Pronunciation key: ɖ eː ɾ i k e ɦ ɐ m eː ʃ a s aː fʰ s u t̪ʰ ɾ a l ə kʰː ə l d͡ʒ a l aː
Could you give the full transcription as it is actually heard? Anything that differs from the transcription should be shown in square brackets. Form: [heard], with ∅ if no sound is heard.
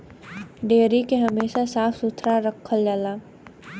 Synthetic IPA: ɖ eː ɾ i k e ɦ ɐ m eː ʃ a s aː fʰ s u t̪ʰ ɾ a [ɾ] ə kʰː ə l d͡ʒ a l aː